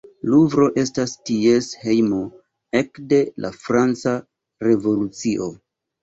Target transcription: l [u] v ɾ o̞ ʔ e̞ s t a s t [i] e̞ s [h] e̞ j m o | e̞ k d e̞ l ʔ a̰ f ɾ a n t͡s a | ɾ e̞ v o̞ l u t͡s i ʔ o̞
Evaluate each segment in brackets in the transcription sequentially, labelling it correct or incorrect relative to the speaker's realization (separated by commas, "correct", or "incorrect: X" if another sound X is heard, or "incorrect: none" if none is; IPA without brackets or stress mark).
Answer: correct, correct, correct